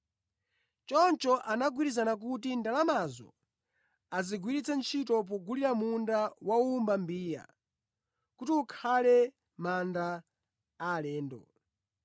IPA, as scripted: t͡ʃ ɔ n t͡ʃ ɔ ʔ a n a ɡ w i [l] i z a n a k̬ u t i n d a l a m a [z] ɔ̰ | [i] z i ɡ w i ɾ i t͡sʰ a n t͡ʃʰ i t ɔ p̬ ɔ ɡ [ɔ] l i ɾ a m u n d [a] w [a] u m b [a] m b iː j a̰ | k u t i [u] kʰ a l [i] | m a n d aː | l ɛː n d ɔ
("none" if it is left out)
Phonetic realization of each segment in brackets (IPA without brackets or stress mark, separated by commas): ɾ, z, a, u, a, a, a, u, ɛ